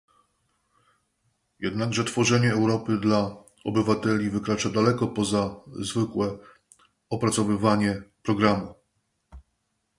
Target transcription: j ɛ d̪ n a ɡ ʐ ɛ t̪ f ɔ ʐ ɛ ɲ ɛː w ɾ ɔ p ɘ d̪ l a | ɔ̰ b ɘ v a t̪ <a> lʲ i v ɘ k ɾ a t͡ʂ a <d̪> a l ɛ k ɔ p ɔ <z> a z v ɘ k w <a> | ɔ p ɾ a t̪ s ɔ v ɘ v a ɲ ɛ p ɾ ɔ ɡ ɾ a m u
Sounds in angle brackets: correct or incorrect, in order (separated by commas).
incorrect, correct, correct, incorrect